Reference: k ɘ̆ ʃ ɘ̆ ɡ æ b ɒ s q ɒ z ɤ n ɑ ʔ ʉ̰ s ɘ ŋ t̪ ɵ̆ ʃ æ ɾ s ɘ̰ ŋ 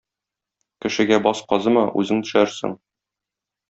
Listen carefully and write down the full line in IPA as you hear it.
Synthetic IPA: k ɘ̆ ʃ ɘ̆ ɡ æ b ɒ s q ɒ z ɤ m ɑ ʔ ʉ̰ z ɘ ŋ t̪ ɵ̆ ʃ æ ɾ s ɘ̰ ŋ